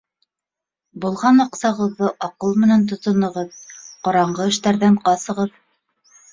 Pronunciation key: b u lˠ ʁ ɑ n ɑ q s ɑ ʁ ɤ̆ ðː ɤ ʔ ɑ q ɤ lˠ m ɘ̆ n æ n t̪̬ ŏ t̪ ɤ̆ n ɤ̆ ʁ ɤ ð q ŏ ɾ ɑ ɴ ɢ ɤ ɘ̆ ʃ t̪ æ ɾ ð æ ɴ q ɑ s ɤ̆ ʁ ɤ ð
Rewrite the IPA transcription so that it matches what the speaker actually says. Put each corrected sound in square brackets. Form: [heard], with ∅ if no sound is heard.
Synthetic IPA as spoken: b u lˠ ʁ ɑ n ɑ q s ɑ ʁ ɤ̆ ðː ɤ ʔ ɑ q ɤ lˠ m ɘ̆ n æ n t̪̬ ŏ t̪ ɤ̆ n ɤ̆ ʁ ɤ ð q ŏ ɾ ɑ ɴ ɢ ɤ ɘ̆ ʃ t̪ æ ɾ ð æ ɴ q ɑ s ɤ̆ ʁ ɤ ð